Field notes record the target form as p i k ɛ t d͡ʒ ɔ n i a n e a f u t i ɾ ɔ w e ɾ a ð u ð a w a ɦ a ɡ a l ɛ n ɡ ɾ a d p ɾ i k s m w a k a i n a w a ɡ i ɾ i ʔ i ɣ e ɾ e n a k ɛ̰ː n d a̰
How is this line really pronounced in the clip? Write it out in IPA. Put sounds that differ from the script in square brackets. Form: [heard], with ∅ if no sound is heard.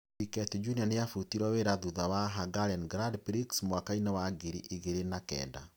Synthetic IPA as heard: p i k ɛ t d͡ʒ [u] n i a n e a f u t i ɾ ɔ w e ɾ a ð u ð a w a ɦ a ɡ a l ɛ n ɡ ɾ a d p ɾ i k s m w a k a i n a w a ɡ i ɾ i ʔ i ɣ e ɾ e n a k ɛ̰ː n d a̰